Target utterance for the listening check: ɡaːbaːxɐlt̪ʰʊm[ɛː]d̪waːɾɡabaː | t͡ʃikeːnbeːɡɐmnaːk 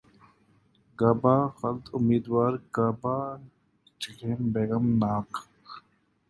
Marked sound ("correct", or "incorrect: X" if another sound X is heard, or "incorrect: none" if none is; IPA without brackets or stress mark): incorrect: iː